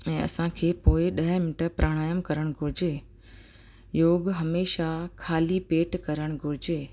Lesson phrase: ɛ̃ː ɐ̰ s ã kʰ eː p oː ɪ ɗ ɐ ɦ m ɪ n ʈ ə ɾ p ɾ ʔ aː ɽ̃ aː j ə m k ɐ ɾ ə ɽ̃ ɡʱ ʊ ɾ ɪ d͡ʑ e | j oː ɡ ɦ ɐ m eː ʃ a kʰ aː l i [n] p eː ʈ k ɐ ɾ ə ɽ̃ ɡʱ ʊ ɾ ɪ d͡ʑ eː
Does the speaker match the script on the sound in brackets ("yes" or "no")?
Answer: no